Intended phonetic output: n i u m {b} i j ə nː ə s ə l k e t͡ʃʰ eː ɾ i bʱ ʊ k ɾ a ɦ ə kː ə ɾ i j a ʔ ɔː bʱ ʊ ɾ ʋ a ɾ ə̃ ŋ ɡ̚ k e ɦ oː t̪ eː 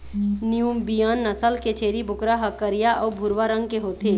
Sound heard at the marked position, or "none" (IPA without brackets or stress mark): b